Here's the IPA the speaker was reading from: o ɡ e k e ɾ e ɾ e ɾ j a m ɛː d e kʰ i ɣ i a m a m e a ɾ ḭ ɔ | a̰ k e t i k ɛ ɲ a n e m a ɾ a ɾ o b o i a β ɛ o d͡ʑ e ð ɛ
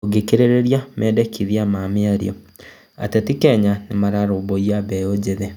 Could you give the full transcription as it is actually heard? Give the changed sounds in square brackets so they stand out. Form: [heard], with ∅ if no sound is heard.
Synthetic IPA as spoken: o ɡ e k e ɾ e ɾ e ɾ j a m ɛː d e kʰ i [ð] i a m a m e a ɾ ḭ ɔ | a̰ [t] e t i k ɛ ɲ a n e m a ɾ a ɾ o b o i a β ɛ o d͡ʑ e ð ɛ